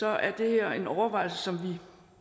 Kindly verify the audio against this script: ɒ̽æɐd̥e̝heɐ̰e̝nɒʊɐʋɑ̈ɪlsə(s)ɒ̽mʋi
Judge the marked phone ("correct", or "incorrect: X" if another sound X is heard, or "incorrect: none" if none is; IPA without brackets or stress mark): correct